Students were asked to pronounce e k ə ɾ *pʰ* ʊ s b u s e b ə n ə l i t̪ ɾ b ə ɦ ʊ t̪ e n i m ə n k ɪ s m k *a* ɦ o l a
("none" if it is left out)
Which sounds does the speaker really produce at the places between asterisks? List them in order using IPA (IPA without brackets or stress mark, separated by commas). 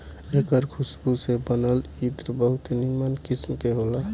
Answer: kʰ, e